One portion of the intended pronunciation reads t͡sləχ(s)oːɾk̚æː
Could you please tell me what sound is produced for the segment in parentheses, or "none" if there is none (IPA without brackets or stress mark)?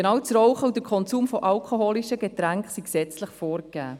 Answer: f